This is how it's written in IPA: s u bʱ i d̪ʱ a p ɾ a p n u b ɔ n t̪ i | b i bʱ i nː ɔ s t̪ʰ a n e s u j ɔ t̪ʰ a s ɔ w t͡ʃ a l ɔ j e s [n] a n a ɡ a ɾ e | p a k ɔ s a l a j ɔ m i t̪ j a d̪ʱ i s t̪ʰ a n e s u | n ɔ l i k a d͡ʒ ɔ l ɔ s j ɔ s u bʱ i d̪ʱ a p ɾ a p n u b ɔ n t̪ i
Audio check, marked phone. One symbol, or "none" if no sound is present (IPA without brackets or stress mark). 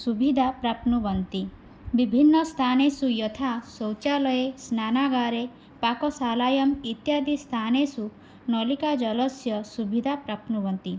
n